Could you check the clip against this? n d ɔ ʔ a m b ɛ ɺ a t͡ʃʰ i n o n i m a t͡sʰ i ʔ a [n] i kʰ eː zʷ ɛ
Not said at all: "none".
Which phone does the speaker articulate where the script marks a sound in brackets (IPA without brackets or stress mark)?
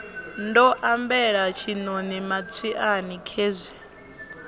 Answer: n